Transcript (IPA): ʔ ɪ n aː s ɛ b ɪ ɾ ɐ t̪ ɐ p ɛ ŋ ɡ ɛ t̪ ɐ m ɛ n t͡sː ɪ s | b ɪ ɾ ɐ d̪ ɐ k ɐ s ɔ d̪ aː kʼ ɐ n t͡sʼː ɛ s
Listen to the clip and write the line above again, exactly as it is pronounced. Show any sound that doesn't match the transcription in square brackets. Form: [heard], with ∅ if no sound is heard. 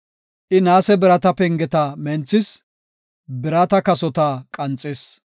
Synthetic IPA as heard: ʔ ɪ n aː s ɛ b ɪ ɾ ɐ t̪ ɐ p ɛ ŋ ɡ ɛ t̪ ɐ m ɛ n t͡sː ɪ s | b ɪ ɾ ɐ [t̪] ɐ k ɐ s ɔ [t̪] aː kʼ ɐ n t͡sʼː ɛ s